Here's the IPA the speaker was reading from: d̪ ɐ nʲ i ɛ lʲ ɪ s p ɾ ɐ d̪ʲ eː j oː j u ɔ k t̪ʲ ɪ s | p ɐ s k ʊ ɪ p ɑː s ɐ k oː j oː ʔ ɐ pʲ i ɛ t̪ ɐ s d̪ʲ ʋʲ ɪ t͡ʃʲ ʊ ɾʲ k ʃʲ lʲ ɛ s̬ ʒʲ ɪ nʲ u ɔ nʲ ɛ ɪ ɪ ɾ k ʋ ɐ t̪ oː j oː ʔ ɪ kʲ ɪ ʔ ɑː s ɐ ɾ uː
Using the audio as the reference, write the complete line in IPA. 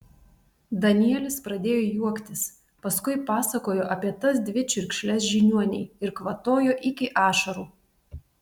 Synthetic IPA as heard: d̪ ɐ nʲ i ɛ lʲ ɪ s p ɾ ɐ d̪ʲ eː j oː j u ɔ k t̪ʲ ɪ s | p ɐ s k ʊ ɪ p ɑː s ɐ k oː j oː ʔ ɐ pʲ i ɛ t̪ ɐ s d̪ʲ ʋʲ ɪ t͡ʃʲ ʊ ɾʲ k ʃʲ lʲ ɛ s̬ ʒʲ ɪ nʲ u ɔ nʲ ɛ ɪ ɪ ɾ k ʋ ɐ t̪ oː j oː ʔ ɪ kʲ ɪ ʔ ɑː ʃ ɐ ɾ uː